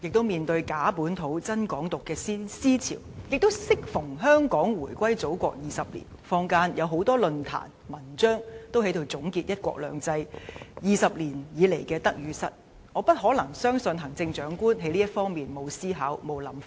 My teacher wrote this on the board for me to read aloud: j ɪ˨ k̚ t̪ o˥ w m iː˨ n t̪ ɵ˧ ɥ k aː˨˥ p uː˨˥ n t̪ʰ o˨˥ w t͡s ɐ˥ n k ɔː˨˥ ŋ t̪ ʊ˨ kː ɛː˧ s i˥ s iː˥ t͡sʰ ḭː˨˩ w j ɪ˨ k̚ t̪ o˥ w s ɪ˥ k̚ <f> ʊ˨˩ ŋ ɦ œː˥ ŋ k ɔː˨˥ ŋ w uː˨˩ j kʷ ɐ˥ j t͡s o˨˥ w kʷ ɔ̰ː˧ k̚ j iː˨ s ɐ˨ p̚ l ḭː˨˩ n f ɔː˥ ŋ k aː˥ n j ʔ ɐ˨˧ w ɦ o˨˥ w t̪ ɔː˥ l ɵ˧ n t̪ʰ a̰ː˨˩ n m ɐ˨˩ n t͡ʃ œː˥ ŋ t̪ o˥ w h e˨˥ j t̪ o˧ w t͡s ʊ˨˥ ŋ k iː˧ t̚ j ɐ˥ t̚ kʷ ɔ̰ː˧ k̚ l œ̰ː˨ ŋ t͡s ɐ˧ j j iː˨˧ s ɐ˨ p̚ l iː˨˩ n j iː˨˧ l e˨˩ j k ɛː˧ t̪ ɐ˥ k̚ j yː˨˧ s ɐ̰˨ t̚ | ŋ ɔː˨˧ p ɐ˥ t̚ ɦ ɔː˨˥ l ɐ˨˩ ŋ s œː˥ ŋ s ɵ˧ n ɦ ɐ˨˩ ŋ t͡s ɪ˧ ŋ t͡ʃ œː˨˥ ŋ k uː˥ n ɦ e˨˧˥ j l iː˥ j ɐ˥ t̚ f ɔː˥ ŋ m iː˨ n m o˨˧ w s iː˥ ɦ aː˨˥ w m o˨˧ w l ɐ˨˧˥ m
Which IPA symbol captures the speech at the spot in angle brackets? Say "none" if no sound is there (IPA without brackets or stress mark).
f